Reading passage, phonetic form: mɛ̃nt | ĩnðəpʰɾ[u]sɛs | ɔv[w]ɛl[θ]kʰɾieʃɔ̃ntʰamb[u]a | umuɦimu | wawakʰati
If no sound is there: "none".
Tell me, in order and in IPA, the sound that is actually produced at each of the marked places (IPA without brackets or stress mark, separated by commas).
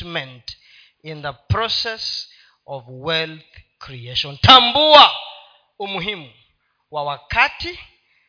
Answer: ɔ, w, θ, u